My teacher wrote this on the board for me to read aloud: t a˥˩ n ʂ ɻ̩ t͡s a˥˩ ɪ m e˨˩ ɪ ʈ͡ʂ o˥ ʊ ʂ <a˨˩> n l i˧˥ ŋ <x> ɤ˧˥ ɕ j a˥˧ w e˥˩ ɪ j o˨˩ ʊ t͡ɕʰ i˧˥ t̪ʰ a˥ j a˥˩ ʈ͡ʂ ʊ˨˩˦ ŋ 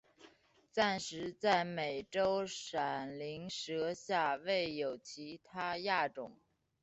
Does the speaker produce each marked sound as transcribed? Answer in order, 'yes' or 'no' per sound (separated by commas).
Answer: yes, no